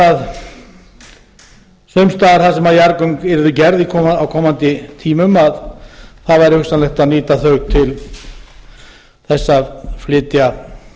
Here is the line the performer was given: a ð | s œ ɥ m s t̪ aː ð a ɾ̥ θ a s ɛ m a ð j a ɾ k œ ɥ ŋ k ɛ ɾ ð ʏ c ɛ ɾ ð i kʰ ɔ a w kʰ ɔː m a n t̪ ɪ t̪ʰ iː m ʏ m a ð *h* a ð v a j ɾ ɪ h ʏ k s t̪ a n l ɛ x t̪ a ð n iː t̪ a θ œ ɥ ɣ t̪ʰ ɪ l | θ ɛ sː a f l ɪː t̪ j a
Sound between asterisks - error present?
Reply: yes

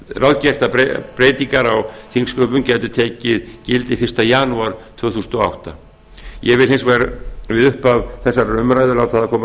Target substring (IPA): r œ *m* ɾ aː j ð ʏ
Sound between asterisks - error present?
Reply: no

